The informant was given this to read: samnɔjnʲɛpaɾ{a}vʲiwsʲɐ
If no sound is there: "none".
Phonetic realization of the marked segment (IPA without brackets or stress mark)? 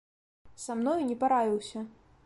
a